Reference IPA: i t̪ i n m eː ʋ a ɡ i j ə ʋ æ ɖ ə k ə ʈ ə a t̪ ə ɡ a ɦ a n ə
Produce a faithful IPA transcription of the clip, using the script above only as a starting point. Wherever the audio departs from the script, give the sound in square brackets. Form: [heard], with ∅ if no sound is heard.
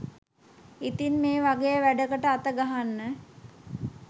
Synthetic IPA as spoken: i t̪ i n m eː ʋ a ɡ [e] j ə ʋ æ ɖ ə k ə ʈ ə a t̪ ə ɡ a ɦ a [nː] ə